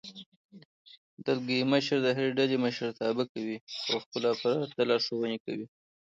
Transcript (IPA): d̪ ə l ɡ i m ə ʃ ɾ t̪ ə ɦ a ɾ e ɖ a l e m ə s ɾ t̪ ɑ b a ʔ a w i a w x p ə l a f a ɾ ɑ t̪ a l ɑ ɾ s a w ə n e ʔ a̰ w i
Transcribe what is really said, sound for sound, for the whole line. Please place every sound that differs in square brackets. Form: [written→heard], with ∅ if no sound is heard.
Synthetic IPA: d̪ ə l ɡ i m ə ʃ ɾ [t̪→d̪] ə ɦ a ɾ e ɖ a l e m ə [s→ʃ] ɾ t̪ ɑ b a [ʔ→k] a w i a w x p ə l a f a ɾ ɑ t̪ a l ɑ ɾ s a w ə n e [ʔ→k] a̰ w i